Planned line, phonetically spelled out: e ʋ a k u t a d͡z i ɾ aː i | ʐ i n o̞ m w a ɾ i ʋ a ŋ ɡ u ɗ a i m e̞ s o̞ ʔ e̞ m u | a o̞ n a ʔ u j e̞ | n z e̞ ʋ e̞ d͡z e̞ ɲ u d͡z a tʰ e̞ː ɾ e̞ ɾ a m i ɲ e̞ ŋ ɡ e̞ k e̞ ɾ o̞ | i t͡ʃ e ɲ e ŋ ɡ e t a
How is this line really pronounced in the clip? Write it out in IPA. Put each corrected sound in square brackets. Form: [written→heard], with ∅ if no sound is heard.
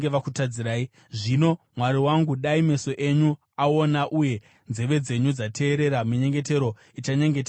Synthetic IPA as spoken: e ʋ a k u t a d͡z i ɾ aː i | ʐ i n o̞ m w a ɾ i [ʋ→w] a ŋ ɡ u ɗ a i m e̞ s o̞ ʔ e̞ [m→ɲ] u | a o̞ n a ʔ u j e̞ | n z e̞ ʋ e̞ d͡z e̞ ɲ u d͡z a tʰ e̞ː ɾ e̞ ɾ a m i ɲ e̞ ŋ ɡ e̞ [k→t] e̞ ɾ o̞ | i t͡ʃ [e→a] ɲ e ŋ ɡ e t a